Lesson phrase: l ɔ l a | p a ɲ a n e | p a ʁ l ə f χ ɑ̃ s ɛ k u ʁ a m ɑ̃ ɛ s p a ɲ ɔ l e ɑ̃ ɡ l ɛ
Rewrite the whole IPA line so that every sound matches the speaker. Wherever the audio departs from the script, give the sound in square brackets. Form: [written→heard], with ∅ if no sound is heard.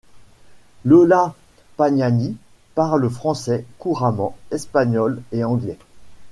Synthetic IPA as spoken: l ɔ l a | p a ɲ a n [e→i] | p a ʁ l ə f χ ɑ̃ s ɛ k u ʁ a m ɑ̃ ɛ s p a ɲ ɔ l e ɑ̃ ɡ l ɛ